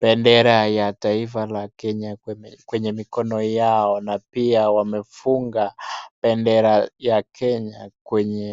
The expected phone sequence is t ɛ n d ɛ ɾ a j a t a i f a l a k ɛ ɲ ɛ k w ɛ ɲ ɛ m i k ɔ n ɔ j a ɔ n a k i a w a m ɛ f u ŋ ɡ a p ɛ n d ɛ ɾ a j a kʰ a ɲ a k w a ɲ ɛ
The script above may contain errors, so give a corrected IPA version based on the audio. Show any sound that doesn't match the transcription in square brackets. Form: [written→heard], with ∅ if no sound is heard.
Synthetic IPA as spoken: [t→p] ɛ n d ɛ ɾ a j a t a i f a l a k ɛ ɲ [ɛ→a] k w ɛ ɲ ɛ m i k ɔ n ɔ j a ɔ n a [k→p] i a w a m ɛ f u ŋ ɡ a p ɛ n d ɛ ɾ a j a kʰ [a→ɛ] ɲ a k w [a→ɛ] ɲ ɛ